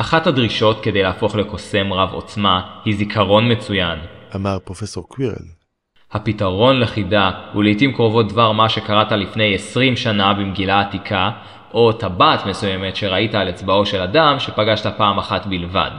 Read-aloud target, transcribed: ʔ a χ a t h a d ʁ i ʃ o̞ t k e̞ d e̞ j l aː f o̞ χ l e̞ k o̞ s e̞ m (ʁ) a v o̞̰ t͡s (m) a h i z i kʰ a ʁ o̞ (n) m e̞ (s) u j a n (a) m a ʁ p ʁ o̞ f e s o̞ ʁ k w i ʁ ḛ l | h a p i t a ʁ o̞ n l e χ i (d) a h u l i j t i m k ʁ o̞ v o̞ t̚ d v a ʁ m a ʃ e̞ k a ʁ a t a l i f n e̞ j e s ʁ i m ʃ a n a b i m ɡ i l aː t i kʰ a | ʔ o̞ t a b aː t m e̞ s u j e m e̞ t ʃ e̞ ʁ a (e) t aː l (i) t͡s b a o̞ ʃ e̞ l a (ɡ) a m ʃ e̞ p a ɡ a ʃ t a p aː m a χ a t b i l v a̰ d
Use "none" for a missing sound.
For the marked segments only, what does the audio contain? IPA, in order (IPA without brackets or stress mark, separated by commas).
ʁ, m, n, t͡s, a, d, i, e, d